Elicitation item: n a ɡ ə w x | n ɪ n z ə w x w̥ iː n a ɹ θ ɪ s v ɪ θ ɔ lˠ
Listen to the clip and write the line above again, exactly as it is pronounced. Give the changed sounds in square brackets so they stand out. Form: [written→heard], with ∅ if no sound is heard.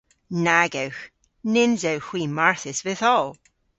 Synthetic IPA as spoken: n a ɡ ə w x | n ɪ n z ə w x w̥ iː [n→m] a ɹ θ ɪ s v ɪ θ ɔ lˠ